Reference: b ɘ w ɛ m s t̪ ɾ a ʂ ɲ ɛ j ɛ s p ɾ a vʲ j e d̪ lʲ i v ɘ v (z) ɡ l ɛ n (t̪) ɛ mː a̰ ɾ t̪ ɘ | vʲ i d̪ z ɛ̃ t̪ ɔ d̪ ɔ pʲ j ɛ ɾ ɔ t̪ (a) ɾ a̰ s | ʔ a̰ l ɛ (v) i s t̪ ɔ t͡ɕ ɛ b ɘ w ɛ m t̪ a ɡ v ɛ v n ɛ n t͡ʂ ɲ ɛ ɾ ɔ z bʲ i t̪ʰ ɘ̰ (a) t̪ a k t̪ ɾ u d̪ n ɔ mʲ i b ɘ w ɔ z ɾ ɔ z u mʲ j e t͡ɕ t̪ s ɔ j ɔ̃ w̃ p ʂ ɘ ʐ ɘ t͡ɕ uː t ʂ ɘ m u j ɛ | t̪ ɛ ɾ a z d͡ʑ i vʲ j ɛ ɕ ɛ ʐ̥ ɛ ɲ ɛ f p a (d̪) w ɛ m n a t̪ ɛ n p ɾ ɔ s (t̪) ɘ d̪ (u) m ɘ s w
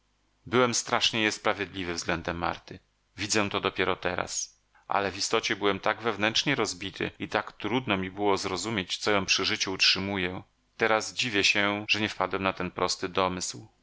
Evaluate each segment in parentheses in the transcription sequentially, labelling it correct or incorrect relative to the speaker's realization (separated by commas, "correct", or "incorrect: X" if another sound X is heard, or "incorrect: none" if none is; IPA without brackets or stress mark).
correct, incorrect: d̪, incorrect: ɛ, correct, incorrect: i, correct, correct, incorrect: ɔ